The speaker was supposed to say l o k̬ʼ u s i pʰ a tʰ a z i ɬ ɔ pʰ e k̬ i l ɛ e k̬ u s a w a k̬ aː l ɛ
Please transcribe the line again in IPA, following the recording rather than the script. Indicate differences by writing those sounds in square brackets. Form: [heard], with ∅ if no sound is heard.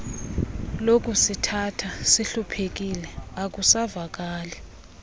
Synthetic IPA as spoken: l o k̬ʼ u s i [tʰ] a tʰ a [s] i ɬ [u] pʰ e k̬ i l ɛ [a] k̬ u s a [v] a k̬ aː l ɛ